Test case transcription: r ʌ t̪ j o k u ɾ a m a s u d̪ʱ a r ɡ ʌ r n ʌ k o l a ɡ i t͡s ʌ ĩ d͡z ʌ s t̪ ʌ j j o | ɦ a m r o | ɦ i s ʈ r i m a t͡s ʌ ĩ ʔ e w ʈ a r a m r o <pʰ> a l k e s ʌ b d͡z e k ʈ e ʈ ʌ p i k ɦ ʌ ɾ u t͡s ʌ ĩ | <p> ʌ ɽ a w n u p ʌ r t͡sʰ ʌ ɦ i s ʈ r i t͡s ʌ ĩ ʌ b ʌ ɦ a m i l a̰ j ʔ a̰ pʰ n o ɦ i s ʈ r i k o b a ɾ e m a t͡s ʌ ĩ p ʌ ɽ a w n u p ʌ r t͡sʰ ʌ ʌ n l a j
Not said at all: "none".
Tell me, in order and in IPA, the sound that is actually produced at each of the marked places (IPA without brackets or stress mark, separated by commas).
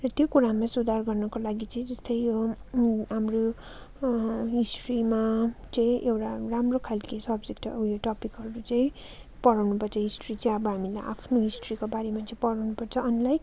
kʰ, p